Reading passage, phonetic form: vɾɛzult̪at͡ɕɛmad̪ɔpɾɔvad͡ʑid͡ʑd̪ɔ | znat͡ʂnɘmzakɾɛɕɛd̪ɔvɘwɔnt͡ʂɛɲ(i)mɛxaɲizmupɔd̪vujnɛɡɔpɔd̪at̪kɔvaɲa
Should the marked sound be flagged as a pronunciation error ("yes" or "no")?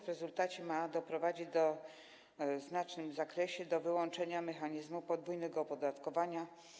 yes